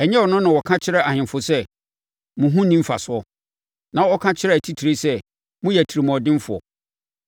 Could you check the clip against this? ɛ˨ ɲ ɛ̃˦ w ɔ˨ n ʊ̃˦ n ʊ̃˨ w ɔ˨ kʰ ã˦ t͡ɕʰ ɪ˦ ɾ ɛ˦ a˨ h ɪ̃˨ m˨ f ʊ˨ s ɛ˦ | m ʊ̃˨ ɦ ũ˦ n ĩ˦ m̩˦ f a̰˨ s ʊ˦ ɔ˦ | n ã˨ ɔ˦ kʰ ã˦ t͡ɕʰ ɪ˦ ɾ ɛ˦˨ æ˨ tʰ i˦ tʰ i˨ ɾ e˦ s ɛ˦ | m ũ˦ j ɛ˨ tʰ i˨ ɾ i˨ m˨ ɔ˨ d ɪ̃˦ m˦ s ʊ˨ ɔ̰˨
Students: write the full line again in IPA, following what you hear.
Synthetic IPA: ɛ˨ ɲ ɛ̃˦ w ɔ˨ n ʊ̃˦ n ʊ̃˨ w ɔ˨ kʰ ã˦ t͡ɕʰ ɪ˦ ɾ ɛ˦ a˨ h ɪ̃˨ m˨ f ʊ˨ s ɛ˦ | m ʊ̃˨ ɦ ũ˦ n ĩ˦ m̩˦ f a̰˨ s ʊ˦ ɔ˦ | n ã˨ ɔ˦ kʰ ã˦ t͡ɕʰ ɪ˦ ɾ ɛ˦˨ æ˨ tʰ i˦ tʰ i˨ ɾ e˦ s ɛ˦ | m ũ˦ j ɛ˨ tʰ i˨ ɾ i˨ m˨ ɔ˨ d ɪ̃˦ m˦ f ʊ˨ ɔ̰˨